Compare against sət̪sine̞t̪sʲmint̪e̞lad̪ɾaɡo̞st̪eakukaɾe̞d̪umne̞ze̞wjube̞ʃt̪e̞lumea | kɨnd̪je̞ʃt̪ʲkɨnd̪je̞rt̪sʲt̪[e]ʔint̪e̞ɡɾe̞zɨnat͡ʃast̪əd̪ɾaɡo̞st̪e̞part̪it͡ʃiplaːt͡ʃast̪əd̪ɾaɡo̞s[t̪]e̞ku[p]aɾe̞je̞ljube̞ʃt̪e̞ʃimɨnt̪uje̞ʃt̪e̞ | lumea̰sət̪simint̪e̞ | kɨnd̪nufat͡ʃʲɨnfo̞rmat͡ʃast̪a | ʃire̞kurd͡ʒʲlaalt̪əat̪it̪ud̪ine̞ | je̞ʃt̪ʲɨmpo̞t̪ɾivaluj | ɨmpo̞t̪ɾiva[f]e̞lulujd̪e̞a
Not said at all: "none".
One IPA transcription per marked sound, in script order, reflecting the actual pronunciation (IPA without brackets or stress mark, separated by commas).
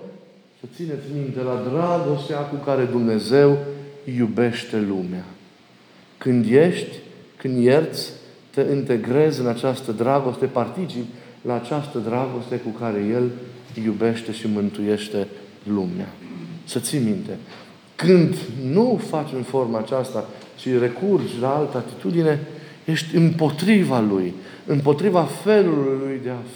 e, t̪, k, f